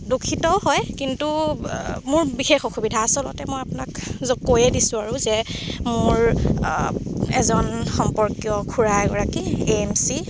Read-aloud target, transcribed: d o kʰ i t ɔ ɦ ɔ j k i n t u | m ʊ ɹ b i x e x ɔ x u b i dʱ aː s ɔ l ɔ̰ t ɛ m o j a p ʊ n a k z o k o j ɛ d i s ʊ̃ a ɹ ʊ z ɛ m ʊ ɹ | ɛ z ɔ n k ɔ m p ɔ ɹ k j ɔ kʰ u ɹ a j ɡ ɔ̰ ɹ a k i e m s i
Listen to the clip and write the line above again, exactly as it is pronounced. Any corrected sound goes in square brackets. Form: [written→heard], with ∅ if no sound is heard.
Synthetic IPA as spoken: d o kʰ i t ɔ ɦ ɔ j k i n t u | m ʊ ɹ b i x e x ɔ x u b i dʱ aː s ɔ l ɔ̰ t ɛ m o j a p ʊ n a k z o k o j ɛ d i s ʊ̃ a ɹ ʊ z ɛ m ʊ ɹ | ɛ z ɔ n [k→x] ɔ m p ɔ ɹ k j ɔ kʰ u ɹ a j ɡ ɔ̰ ɹ a k i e m s i